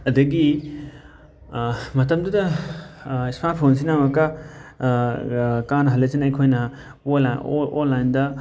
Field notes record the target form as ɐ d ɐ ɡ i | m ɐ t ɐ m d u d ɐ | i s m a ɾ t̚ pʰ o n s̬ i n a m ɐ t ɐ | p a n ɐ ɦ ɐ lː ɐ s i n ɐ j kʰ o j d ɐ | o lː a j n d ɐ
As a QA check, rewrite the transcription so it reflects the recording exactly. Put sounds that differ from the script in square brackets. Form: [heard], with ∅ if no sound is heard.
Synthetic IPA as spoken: ɐ d ɐ ɡ i | m ɐ t ɐ m d u d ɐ | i s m a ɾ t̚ pʰ o n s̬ i n a m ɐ [k] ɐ | [k] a n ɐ ɦ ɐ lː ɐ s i n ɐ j kʰ o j [n] ɐ | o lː a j n d ɐ